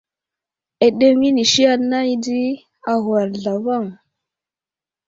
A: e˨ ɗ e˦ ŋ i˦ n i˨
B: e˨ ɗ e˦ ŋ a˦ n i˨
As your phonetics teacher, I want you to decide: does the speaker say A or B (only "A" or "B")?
A